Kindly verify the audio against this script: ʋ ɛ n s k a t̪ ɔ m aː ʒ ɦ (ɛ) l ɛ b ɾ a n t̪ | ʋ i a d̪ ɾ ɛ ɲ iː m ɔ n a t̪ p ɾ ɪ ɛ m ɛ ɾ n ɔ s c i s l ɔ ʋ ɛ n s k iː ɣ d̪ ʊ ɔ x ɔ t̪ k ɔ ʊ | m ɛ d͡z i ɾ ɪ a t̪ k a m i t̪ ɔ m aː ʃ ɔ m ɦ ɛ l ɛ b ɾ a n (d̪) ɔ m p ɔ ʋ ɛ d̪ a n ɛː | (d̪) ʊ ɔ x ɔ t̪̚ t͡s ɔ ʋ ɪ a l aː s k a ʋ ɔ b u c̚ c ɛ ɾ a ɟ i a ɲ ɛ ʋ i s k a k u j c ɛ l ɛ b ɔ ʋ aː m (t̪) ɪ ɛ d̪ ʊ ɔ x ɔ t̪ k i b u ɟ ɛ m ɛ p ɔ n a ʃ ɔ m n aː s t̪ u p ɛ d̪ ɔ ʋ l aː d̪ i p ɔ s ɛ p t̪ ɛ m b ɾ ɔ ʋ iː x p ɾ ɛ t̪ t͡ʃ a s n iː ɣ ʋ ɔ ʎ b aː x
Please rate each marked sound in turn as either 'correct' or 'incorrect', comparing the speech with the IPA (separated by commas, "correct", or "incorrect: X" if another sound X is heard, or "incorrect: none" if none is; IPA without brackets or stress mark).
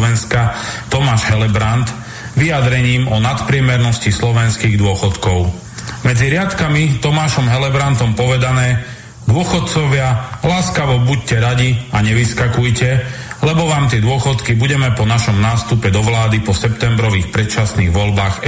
correct, incorrect: t̪, correct, correct